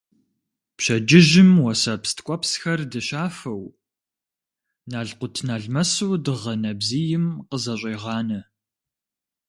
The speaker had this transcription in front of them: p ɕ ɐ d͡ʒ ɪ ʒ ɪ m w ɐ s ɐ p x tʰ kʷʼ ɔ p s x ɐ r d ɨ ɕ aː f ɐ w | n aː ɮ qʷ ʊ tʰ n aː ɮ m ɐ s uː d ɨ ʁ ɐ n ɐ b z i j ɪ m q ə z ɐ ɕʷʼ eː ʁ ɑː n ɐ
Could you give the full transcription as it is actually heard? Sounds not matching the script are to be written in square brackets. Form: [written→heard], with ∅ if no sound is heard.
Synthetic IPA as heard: p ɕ ɐ d͡ʒ ɪ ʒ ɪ m w ɐ s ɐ p [x→s] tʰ kʷʼ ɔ p s x ɐ r d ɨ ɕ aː f ɐ w | n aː ɮ qʷ ʊ tʰ n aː ɮ m ɐ s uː d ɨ ʁ ɐ n ɐ b z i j ɪ m q ə z ɐ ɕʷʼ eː ʁ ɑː n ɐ